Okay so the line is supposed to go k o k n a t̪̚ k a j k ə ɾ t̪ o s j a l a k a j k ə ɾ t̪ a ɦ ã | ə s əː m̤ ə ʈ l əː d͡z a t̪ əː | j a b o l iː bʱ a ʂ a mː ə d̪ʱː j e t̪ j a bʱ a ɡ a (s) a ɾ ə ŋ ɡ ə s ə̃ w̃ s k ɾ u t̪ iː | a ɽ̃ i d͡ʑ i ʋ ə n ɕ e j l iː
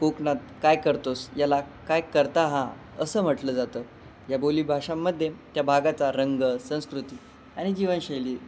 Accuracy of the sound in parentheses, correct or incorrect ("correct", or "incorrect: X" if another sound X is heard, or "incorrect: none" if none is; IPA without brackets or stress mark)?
incorrect: t͡s